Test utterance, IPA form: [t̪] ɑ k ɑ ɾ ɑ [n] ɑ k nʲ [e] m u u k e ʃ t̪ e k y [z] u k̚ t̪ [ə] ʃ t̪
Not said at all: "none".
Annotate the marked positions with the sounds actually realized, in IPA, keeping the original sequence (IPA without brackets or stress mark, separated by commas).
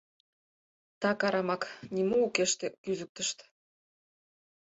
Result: t̪, m, i, z, ə